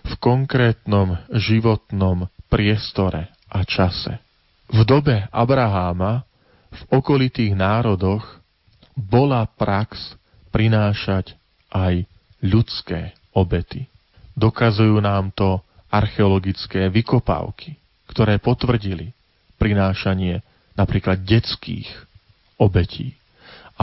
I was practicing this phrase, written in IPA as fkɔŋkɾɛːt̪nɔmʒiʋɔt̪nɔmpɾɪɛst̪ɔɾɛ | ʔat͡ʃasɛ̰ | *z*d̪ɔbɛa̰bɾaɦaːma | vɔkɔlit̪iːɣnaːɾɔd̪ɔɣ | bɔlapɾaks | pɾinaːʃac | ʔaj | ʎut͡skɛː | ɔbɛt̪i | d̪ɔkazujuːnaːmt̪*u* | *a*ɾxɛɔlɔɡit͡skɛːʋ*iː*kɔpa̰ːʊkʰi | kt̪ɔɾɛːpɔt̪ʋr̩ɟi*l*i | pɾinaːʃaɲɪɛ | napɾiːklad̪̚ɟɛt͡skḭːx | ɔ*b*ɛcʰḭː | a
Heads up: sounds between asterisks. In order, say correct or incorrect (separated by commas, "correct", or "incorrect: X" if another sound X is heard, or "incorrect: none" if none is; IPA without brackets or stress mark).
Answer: incorrect: v, incorrect: ɔ, correct, incorrect: i, correct, correct